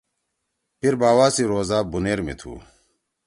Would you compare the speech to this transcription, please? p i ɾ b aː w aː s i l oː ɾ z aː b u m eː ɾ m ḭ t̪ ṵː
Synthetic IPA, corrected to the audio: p i ɾ b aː w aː s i ɾ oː z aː b u n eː ɾ m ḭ t̪ʰ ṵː